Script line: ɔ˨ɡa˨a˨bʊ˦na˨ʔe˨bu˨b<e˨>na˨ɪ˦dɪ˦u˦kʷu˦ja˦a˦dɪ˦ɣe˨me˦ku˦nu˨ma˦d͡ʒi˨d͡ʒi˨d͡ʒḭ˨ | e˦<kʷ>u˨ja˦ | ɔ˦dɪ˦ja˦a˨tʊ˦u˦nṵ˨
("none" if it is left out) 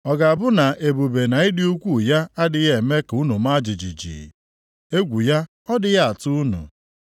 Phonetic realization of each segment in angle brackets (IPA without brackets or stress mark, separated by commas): e˨, ɡʷ